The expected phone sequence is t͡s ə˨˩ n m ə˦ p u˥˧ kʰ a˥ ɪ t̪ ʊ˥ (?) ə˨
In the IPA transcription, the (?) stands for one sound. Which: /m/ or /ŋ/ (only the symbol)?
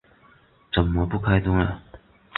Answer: ŋ